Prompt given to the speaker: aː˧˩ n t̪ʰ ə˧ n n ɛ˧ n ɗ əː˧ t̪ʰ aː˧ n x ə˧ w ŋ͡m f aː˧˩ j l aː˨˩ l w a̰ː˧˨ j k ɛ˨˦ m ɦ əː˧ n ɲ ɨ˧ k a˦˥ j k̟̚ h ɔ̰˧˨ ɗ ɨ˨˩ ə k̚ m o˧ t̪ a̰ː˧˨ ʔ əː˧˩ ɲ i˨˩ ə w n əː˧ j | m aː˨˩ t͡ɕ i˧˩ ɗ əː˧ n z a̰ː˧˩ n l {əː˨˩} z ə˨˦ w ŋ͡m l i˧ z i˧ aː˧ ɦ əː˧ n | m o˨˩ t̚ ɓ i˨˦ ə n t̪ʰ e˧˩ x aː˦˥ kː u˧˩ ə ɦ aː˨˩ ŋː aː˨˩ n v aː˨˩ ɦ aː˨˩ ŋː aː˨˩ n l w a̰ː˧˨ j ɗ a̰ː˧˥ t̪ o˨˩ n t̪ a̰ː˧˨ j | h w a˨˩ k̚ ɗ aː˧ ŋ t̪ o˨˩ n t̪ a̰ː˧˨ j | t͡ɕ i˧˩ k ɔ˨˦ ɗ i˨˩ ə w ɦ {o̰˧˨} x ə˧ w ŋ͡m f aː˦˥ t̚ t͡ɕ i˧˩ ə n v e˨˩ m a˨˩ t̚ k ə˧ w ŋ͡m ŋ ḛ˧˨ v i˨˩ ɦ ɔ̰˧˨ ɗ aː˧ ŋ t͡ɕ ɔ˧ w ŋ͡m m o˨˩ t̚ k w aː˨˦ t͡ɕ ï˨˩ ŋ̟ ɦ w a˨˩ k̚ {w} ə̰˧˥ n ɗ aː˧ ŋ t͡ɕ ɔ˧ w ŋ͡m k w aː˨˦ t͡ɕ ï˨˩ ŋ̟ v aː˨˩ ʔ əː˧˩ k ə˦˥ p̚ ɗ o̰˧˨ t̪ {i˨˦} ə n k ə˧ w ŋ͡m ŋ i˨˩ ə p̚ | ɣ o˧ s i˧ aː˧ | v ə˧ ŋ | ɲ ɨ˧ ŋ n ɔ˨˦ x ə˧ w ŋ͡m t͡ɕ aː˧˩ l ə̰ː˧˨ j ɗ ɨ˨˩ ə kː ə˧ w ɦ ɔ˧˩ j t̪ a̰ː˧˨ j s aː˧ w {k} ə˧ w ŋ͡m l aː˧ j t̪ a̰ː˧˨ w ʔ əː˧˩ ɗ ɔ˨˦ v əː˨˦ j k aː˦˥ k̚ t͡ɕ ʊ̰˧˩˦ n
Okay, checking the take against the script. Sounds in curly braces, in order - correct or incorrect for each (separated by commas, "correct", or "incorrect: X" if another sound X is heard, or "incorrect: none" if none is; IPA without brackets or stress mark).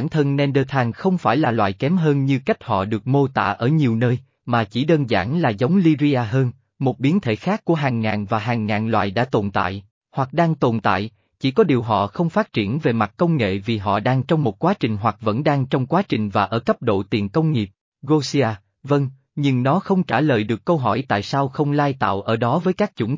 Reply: incorrect: aː˨˩, incorrect: ɔ̰˧˨, incorrect: v, incorrect: i˨˩, incorrect: x